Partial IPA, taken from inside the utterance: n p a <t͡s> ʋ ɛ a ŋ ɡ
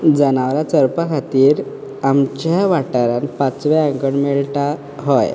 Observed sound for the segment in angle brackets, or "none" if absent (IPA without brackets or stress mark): t͡s